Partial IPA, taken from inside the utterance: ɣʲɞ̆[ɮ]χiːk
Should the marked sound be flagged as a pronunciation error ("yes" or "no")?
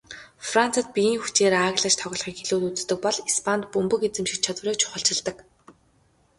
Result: no